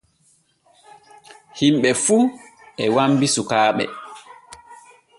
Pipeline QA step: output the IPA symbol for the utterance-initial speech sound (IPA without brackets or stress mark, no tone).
h